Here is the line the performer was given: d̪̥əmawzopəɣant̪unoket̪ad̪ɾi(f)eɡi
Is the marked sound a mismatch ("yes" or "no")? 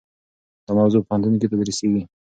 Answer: yes